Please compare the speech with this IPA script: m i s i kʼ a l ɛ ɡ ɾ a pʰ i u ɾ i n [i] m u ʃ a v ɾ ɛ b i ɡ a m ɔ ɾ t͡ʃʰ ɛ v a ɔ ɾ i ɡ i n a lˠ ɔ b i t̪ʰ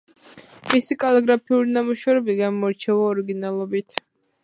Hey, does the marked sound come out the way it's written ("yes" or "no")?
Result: no